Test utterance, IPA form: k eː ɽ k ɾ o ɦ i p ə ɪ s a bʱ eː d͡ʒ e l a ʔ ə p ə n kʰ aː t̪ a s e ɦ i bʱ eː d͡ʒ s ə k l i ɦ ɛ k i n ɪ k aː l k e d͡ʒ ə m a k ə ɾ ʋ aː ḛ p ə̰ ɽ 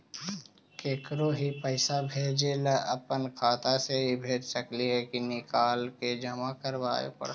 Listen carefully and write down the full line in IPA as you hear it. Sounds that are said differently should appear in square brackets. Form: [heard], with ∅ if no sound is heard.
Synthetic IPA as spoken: k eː [∅] k ɾ o ɦ i p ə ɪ s a bʱ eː d͡ʒ e l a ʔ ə p ə n kʰ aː t̪ a s e ɦ i bʱ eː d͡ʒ s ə k l i ɦ ɛ k i n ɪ k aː l k e d͡ʒ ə m a k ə ɾ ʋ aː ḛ p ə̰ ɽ